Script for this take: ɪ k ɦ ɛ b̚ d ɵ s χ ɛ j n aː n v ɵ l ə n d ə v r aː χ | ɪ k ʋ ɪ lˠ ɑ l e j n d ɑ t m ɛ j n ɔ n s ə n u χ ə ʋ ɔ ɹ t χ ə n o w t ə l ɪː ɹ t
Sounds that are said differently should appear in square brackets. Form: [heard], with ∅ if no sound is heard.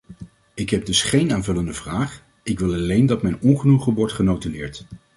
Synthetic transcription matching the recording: ɪ k ɦ ɛ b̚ d ɵ s χ [e] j n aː n v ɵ l ə n d ə v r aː χ | ɪ k ʋ ɪ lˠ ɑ l e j n d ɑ t m ɛ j n ɔ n [χ] ə n u χ ə ʋ ɔ ɹ t χ ə n o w t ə l ɪː ɹ t